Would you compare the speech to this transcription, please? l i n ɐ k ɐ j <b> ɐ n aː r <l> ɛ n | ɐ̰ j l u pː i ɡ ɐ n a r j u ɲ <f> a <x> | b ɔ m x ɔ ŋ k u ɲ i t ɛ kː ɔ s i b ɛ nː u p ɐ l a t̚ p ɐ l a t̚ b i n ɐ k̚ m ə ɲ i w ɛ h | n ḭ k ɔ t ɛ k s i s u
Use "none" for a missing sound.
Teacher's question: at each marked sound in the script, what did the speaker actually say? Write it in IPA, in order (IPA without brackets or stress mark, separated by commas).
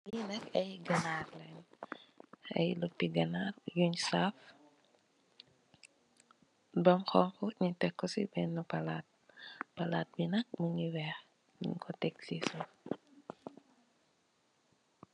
ɡ, l, s, f